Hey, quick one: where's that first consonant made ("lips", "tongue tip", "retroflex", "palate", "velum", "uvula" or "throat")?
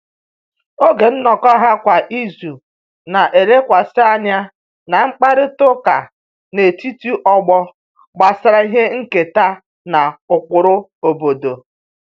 velum